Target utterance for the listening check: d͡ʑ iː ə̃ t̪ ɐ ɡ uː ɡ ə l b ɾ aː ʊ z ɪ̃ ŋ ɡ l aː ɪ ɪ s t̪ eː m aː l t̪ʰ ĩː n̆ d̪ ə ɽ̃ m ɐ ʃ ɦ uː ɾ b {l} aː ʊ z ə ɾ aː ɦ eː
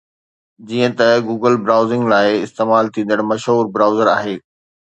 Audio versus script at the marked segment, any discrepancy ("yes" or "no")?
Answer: yes